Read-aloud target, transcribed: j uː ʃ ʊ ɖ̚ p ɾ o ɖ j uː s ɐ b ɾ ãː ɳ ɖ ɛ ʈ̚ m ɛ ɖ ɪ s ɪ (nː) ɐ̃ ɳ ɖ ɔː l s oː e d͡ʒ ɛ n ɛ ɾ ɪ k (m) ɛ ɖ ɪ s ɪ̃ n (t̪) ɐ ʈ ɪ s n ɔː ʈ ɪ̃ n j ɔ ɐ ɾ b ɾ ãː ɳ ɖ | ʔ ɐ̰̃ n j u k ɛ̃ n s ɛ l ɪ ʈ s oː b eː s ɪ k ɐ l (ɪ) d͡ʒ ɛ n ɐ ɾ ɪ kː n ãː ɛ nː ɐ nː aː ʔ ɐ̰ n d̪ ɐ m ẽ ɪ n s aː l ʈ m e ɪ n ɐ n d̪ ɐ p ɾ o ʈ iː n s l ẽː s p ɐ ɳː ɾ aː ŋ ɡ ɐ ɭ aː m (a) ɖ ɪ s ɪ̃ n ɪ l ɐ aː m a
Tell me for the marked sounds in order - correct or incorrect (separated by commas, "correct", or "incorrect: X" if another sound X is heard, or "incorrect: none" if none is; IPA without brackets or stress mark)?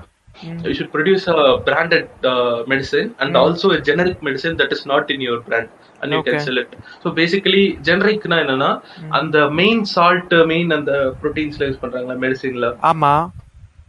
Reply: incorrect: n, correct, incorrect: d̪, incorrect: i, incorrect: ɛ